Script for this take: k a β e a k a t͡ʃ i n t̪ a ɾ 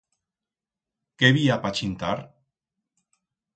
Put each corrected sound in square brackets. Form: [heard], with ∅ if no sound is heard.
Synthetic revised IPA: k [e] β [i] a [p] a t͡ʃ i n t̪ a ɾ